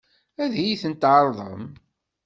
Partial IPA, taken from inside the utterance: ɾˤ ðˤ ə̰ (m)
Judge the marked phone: correct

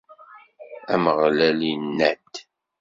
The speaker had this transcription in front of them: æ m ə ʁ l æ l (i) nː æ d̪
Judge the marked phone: correct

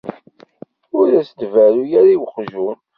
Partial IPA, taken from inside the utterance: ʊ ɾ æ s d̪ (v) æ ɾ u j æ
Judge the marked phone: correct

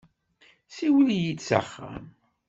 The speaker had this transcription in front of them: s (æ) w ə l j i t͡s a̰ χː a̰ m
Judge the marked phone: incorrect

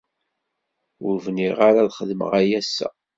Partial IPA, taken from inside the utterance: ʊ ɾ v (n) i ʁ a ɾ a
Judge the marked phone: correct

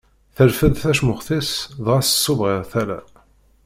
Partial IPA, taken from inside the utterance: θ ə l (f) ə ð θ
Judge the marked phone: correct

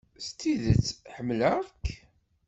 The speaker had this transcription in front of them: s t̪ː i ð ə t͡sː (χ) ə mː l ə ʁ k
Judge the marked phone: incorrect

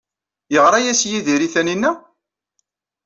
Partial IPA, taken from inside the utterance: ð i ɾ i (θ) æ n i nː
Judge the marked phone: correct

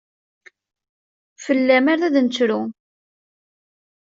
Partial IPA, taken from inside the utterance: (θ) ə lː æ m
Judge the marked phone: incorrect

